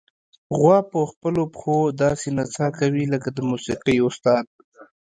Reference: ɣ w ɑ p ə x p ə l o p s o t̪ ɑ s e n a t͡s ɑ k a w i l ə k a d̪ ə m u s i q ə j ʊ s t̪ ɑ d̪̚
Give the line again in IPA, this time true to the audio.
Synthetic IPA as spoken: ɣ w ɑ p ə x p ə l o p x o d̪ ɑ s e n a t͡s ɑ k a w i l ə k a d̪ ə m u s i q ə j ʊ s t̪ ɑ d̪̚